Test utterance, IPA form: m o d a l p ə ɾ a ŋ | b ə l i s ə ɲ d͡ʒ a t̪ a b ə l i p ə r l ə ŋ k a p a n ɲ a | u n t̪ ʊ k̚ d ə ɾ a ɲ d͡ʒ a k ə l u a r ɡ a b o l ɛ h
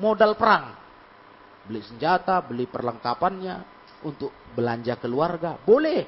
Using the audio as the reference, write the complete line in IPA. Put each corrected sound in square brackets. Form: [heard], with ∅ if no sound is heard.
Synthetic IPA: m o d a l p ə ɾ a ŋ | b ə l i s ə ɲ d͡ʒ a t̪ a b ə l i p ə r l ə ŋ k a p a n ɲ a | u n t̪ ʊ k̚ [b] ə [l] a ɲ d͡ʒ a k ə l u a r ɡ a b o l ɛ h